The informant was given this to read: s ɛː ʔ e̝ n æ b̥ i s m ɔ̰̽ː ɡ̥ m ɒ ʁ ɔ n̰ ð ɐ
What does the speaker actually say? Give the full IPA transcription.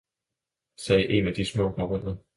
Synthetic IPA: s ɛː ʔ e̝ n æ d̥ i s m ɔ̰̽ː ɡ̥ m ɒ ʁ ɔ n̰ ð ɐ

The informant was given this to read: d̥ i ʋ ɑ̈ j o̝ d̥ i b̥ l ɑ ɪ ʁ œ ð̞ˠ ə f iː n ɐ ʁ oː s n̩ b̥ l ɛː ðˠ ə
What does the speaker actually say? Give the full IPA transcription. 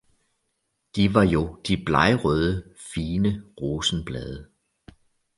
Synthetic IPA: d̥ i ʋ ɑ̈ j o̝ d̥ i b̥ l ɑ ɪ ʁ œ ð̞ˠ ə f iː n ə ʁ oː s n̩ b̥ l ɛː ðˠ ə

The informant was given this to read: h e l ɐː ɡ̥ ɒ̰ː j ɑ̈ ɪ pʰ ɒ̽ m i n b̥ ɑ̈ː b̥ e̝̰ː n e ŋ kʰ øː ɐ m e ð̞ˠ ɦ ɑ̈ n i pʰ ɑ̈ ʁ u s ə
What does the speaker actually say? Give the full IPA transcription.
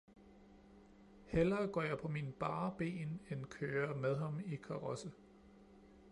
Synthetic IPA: h e l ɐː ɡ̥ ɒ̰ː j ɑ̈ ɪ pʰ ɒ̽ m i n b̥ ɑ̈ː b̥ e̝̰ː n e n kʰ øː ɐ m e ð̞ˠ ɦ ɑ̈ m i kʰ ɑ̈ ʁ ɒ s ə

